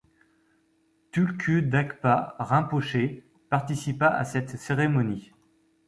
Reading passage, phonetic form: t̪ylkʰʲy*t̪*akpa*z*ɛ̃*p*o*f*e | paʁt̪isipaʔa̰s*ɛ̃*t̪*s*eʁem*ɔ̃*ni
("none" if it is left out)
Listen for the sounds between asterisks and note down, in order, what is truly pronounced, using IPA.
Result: d̪, ʁ, p, ʃ, ɛ, s, ɔ

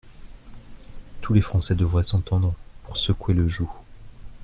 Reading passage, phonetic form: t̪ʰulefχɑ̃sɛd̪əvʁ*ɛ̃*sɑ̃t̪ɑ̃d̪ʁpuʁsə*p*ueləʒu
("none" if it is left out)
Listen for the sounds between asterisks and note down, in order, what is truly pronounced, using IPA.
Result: ɛ, k

